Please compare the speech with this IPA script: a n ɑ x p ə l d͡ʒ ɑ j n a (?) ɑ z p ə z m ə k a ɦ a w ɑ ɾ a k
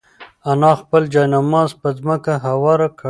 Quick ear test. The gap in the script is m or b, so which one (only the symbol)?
m